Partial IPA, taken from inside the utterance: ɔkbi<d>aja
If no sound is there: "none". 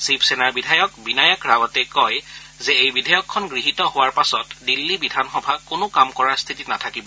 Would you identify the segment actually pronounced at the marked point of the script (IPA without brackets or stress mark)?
n